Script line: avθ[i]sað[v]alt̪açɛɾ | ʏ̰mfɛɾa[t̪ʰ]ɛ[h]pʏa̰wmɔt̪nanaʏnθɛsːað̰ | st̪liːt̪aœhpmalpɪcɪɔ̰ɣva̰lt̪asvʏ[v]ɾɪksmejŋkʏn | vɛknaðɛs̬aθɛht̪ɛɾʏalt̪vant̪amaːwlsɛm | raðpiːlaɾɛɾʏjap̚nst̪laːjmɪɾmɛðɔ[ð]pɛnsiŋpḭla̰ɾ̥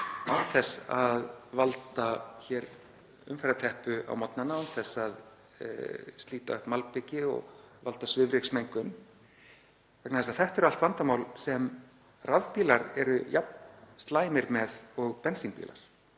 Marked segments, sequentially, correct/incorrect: incorrect, correct, correct, correct, correct, incorrect

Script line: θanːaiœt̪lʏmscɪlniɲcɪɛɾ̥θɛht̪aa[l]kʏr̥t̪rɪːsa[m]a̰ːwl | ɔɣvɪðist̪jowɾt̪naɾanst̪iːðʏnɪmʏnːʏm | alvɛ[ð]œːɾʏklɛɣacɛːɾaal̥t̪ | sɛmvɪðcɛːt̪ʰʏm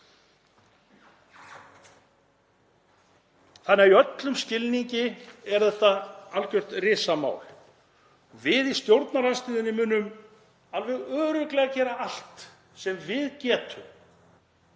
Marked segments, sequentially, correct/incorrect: correct, correct, incorrect

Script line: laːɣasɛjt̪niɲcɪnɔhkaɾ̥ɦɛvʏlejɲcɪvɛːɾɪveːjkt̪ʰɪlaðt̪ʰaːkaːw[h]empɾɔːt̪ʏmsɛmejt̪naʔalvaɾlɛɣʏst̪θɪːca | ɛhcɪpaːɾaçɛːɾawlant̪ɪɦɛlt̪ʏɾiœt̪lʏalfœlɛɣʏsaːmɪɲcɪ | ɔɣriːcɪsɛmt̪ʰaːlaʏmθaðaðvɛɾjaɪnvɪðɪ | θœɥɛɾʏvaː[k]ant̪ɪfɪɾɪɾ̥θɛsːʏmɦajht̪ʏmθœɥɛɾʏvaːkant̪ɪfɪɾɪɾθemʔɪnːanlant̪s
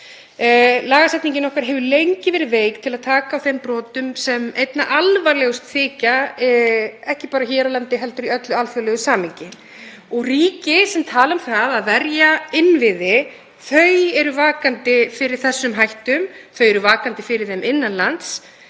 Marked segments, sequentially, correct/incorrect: incorrect, correct

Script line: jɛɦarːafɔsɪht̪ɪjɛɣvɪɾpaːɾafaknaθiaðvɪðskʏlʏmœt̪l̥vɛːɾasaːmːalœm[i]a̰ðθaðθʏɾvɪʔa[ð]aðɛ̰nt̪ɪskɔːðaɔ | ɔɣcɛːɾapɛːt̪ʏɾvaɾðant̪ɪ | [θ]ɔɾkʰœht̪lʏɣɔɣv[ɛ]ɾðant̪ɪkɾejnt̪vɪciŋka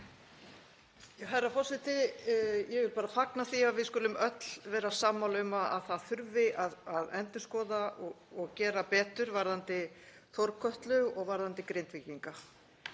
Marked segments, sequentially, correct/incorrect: incorrect, correct, correct, incorrect

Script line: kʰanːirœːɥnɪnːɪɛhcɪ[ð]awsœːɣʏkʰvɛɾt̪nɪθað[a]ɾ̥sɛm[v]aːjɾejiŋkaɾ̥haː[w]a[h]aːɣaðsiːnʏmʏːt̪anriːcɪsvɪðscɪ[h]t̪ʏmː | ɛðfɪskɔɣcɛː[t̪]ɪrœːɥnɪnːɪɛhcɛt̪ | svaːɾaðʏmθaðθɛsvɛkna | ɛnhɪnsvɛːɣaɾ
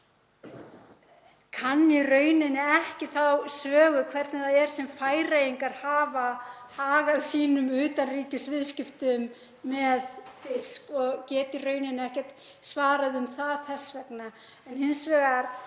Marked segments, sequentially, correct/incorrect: incorrect, incorrect, incorrect, incorrect, correct, incorrect, correct

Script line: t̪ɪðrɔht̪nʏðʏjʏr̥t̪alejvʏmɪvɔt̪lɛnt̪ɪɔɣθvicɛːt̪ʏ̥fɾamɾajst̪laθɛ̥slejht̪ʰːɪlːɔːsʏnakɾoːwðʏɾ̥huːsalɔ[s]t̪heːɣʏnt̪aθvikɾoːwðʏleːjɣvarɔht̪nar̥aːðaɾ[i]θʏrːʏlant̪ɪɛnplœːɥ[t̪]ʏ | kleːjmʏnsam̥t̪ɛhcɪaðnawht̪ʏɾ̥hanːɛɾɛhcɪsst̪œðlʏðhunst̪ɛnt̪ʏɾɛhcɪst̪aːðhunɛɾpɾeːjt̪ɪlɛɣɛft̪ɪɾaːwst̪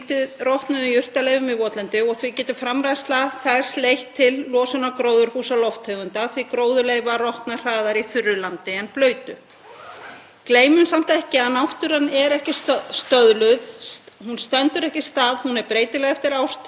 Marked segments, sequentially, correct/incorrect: incorrect, correct, correct

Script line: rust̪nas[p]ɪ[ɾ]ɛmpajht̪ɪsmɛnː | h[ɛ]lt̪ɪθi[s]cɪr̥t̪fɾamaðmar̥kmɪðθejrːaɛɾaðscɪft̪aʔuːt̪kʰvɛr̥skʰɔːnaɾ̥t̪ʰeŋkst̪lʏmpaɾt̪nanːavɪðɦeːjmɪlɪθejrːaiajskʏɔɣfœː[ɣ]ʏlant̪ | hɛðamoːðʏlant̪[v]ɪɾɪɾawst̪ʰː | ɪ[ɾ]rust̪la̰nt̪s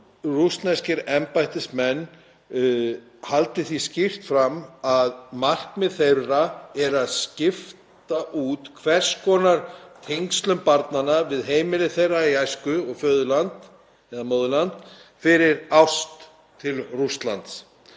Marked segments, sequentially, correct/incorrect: incorrect, correct, incorrect, correct, incorrect, incorrect, incorrect

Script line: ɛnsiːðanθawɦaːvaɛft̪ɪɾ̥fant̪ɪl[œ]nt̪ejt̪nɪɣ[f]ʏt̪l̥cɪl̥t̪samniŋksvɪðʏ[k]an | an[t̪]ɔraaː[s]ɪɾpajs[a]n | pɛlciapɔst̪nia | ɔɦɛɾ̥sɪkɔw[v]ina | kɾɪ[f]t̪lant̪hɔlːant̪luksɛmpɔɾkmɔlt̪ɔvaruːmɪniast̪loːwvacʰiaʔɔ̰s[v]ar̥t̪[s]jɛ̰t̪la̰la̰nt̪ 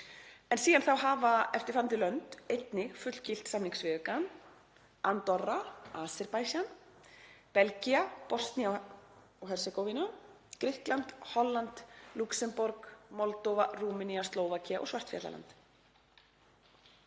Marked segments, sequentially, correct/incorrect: correct, correct, correct, correct, correct, correct, correct, incorrect, correct, incorrect

